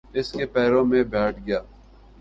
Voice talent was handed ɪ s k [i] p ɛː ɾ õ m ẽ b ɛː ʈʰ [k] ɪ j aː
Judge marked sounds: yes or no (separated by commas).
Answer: no, no